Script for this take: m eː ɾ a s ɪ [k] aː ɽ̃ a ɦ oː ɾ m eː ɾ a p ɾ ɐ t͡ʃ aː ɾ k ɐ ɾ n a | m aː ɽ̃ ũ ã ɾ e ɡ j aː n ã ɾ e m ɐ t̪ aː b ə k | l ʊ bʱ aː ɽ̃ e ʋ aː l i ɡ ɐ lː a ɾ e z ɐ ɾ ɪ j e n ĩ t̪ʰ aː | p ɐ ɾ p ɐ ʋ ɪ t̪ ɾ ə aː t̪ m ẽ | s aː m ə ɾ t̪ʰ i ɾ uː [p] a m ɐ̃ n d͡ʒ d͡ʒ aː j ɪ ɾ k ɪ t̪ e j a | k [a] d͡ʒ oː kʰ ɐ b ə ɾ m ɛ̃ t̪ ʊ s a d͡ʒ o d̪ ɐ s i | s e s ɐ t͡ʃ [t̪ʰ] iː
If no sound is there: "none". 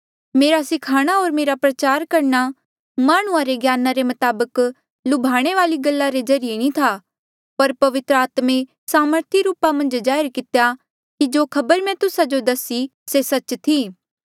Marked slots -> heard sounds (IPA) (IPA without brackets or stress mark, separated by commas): kʰ, p, i, t̪ʰ